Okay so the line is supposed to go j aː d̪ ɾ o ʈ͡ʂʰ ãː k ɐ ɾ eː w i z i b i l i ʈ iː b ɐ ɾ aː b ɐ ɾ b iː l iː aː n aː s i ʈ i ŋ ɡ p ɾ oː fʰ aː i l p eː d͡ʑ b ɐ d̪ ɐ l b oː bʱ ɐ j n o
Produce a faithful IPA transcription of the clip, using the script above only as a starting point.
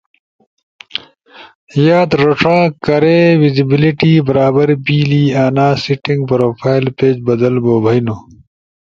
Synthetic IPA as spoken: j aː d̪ ɾ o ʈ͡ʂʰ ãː k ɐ ɾ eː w i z i b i l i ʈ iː b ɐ ɾ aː b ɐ ɾ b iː l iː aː n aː s i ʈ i ŋ ɡ p ɾ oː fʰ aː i l p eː d͡ʑ b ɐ d̪ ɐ l b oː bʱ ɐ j n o